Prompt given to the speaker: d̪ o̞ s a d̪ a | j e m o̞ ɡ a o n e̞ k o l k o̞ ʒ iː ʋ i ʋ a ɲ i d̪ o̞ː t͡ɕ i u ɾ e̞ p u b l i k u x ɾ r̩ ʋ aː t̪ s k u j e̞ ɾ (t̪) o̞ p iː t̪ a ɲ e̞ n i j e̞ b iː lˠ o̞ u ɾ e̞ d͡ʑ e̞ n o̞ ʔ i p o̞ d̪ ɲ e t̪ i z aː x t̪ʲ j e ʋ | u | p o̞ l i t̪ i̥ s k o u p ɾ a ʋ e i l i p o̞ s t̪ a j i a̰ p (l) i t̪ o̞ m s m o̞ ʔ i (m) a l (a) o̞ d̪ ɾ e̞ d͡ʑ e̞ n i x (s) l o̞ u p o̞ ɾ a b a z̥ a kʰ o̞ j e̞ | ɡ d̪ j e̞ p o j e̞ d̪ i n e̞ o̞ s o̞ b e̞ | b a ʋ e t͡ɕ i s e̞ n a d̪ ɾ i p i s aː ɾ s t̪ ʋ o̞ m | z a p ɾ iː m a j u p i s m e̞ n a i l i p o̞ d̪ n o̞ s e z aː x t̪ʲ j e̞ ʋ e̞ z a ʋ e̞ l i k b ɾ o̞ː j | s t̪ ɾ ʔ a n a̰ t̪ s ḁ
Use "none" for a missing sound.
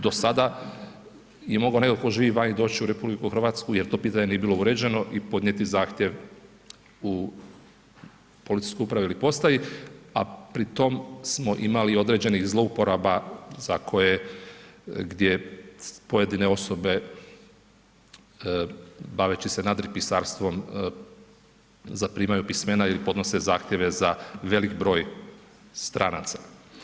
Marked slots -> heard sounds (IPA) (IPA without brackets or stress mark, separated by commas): t̪, ɾ, m, i, z